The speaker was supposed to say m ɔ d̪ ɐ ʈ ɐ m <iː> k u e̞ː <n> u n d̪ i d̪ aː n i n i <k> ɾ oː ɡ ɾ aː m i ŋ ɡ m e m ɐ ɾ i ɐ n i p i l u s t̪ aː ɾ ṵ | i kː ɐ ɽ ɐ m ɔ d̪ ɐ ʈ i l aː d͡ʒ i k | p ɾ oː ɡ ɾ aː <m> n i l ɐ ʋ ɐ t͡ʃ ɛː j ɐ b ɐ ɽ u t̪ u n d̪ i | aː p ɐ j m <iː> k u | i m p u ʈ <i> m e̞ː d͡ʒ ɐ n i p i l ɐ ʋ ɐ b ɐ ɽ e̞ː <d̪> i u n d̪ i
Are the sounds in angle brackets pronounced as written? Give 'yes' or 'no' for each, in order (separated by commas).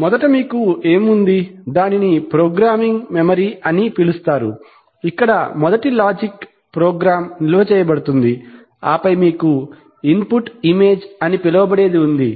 yes, no, no, yes, yes, yes, yes